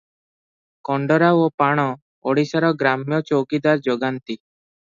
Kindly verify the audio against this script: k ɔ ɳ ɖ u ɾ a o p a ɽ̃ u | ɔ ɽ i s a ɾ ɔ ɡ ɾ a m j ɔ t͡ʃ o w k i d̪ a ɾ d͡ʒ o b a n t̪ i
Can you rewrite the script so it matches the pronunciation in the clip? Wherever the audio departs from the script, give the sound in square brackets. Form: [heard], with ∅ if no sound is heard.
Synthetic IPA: k ɔ ɳ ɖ [ɔ] ɾ a o p a ɽ̃ [ɔ] | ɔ ɽ i s a ɾ ɔ ɡ ɾ a m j ɔ t͡ʃ o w k i d̪ a ɾ d͡ʒ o [ɡ] a n t̪ i

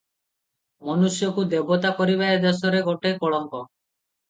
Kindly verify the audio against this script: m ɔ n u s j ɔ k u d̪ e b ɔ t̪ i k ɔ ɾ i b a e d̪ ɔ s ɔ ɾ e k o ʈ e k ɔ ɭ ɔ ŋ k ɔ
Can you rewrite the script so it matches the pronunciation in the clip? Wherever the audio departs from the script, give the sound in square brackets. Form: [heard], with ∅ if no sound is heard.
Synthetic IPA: m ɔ n u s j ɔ k u d̪ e b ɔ t̪ [a] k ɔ ɾ i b a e d̪ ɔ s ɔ ɾ e [ɡ] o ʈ e k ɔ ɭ ɔ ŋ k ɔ

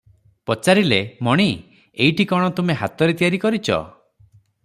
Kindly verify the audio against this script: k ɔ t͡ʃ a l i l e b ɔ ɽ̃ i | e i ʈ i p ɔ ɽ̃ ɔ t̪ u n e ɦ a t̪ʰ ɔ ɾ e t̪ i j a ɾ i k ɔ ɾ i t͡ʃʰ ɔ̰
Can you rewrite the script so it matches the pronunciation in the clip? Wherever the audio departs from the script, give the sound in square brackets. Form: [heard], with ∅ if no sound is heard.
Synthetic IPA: [p] ɔ t͡ʃ a [ɾ] i l e [m] ɔ ɽ̃ i | e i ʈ i [k] ɔ ɽ̃ ɔ t̪ u [m] e ɦ a [t̪] ɔ ɾ e t̪ i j a ɾ i k ɔ ɾ i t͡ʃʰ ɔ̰

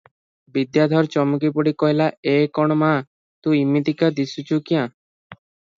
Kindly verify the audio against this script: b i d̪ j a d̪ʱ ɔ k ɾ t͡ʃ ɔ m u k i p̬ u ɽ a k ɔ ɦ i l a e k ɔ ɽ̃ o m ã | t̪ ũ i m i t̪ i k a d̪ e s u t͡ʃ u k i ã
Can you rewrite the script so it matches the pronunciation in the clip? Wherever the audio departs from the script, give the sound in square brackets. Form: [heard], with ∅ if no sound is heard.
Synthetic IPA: b i d̪ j a d̪ʱ ɔ [∅] ɾ t͡ʃ ɔ m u k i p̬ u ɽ [i] k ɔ ɦ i l a e k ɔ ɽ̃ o m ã | t̪ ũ i m i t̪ i k a d̪ [i] s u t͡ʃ u k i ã

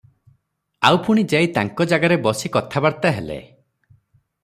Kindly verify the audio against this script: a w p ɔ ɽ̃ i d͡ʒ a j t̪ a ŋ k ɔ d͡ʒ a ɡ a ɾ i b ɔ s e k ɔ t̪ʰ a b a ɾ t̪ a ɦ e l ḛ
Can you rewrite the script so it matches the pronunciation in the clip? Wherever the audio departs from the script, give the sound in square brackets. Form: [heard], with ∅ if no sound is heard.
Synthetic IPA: a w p [u] ɽ̃ i d͡ʒ a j t̪ a ŋ k ɔ d͡ʒ a ɡ a ɾ [e] b ɔ s [i] k ɔ t̪ʰ a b a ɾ t̪ a ɦ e l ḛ

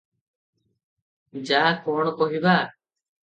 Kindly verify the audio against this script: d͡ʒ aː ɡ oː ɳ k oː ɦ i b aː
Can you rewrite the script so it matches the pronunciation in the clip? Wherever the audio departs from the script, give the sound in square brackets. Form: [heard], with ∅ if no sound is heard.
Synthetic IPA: d͡ʒ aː [k] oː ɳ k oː ɦ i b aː

